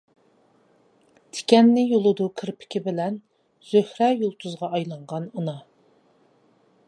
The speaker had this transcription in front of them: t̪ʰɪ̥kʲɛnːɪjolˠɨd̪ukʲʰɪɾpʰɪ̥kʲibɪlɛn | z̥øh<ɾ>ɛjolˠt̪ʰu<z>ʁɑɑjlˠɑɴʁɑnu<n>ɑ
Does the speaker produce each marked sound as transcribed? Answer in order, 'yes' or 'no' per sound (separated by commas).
yes, yes, yes